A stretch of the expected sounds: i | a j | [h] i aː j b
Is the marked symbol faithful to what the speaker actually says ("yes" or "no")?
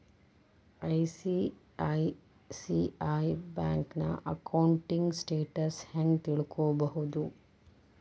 no